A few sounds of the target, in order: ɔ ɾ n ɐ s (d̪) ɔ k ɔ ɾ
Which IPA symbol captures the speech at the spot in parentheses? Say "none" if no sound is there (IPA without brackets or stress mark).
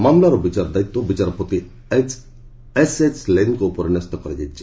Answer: t̪